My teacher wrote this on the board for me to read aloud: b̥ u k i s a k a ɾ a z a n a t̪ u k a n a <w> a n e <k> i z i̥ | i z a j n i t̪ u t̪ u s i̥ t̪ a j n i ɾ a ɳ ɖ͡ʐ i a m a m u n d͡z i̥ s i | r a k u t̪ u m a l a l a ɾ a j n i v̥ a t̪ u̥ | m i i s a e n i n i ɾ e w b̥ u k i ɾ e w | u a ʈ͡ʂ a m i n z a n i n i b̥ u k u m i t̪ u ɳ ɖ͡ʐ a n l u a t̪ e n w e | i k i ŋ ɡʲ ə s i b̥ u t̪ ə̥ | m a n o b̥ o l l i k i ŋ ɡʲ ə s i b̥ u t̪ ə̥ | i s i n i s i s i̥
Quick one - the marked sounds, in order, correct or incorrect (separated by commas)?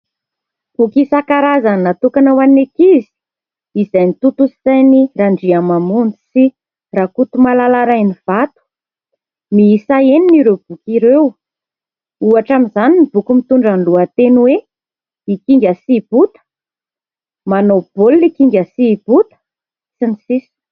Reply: correct, correct